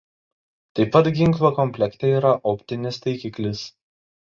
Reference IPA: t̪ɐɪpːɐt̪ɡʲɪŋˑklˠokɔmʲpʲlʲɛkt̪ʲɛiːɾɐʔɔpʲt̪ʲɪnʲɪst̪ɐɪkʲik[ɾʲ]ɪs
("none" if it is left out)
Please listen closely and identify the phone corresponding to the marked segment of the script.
lʲ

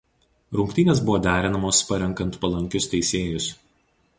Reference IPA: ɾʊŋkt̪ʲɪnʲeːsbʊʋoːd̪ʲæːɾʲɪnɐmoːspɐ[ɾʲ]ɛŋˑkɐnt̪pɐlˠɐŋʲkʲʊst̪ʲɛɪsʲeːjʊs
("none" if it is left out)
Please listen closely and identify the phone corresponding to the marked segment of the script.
ɾʲ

